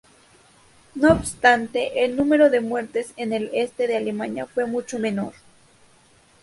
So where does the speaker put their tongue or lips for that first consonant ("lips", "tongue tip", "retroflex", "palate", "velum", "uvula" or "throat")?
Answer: tongue tip